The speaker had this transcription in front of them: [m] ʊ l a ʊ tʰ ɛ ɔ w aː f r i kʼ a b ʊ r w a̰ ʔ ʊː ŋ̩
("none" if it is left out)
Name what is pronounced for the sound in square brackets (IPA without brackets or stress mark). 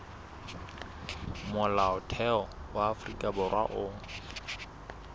m